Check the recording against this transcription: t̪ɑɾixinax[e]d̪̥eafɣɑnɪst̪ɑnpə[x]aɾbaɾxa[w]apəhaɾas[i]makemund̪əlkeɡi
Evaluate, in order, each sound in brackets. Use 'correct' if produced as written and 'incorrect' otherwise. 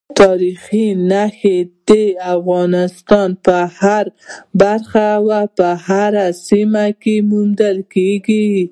correct, incorrect: h, correct, correct

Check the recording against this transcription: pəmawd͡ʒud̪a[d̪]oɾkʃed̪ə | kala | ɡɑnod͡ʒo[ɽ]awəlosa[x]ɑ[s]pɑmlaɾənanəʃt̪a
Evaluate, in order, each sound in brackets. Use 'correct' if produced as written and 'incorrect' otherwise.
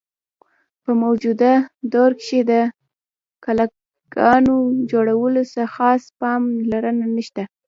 correct, correct, correct, correct

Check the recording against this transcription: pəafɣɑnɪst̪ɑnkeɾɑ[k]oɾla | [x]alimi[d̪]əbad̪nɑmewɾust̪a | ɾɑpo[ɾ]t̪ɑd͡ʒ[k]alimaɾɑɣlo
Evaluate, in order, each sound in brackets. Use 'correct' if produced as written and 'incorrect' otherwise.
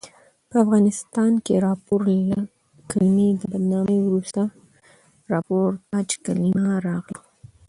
incorrect: p, incorrect: k, correct, correct, correct

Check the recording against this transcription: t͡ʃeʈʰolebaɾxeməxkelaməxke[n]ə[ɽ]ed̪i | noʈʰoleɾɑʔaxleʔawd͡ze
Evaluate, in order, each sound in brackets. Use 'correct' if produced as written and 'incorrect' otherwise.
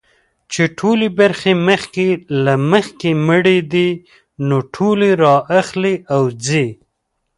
incorrect: m, correct

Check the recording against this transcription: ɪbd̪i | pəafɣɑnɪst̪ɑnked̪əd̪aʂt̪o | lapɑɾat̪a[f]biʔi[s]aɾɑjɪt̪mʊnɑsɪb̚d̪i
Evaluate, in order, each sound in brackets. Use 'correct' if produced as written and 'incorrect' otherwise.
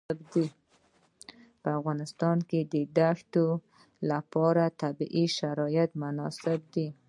incorrect: none, incorrect: ʃ

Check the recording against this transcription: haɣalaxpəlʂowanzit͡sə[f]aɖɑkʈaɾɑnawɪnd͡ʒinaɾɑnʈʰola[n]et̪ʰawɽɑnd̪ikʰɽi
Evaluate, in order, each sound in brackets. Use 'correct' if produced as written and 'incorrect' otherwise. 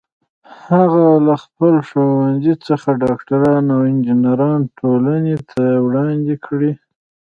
incorrect: x, correct

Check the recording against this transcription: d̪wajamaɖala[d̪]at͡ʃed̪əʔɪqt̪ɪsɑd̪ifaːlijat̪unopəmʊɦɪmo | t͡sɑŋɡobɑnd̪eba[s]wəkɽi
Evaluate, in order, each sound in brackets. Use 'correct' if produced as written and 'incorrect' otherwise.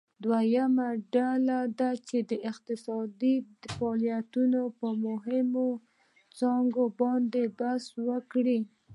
correct, correct

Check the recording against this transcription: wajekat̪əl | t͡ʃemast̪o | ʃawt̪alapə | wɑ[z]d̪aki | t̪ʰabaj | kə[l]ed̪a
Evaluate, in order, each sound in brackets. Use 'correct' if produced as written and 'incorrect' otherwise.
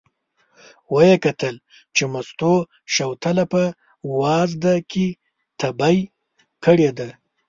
correct, incorrect: ɽ

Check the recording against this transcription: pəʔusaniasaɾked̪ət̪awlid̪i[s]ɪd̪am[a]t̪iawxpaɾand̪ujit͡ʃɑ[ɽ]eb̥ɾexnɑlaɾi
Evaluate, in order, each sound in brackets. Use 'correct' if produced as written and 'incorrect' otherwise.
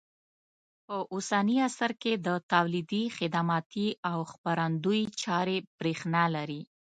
incorrect: x, incorrect: ɑ, incorrect: ɾ

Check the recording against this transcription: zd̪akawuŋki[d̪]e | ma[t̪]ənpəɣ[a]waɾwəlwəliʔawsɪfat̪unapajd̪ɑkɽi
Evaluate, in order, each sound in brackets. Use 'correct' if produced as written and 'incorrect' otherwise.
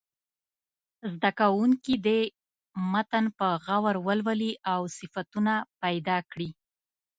correct, correct, correct

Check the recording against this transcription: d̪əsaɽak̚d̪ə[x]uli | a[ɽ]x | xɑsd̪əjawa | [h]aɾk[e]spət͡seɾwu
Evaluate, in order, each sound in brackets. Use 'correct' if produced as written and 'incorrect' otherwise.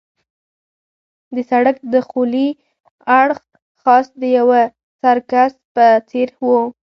correct, correct, incorrect: s, incorrect: a

